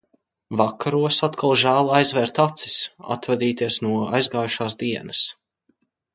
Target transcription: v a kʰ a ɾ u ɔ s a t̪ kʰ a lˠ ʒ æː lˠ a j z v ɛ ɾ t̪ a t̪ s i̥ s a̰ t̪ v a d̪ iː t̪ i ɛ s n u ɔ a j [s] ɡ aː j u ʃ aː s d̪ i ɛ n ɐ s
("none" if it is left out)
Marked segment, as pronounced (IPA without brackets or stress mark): z